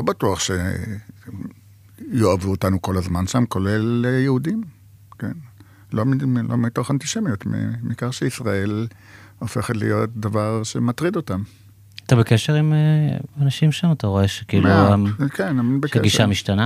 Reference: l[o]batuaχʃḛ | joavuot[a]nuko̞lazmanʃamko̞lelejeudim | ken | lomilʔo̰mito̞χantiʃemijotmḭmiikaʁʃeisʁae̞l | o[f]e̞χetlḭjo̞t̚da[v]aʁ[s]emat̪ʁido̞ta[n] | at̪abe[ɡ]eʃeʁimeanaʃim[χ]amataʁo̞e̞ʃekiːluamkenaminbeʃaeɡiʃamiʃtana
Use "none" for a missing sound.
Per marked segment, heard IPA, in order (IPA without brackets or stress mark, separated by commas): o, a, f, v, ʃ, m, k, ʃ